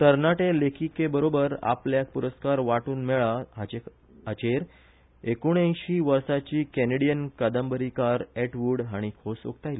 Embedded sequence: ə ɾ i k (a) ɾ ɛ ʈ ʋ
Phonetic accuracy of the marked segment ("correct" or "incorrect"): correct